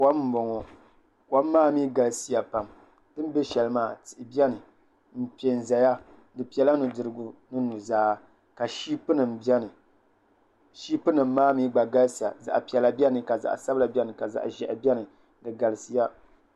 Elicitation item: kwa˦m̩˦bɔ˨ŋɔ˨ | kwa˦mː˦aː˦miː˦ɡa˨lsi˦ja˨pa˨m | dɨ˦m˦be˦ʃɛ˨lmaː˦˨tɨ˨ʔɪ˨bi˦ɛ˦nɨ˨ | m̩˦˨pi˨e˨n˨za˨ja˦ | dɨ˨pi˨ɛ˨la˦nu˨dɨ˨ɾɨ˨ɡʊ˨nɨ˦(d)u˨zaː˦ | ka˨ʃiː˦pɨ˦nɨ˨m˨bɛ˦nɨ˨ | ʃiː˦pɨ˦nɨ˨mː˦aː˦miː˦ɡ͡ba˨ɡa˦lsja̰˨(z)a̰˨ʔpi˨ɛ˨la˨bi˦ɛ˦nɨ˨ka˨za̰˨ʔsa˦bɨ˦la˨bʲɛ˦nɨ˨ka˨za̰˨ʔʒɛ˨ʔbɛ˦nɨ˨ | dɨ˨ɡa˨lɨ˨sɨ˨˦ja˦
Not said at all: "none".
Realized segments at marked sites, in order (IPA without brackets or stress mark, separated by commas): n, z